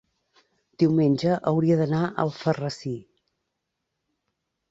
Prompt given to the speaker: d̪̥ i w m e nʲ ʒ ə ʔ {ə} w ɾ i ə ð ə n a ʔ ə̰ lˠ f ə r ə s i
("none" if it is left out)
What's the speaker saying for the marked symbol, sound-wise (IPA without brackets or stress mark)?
ə